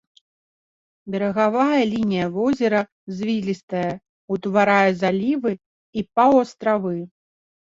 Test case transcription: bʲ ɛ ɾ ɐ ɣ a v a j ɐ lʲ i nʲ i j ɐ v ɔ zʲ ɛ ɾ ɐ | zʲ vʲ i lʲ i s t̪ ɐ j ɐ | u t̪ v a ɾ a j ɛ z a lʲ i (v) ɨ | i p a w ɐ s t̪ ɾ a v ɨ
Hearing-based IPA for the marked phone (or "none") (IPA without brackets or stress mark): v